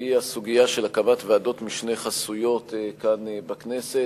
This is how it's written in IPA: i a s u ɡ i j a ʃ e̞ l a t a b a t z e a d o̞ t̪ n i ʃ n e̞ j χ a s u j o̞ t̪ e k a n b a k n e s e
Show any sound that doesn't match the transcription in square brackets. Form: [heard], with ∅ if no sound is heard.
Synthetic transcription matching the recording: i a s u ɡ i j a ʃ e̞ l a [k] a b a t [v] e a d o̞ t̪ [m] i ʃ n e̞ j χ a s u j o̞ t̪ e k a n b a k n e s e